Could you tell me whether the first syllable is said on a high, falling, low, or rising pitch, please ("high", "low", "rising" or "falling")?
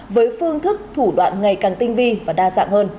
rising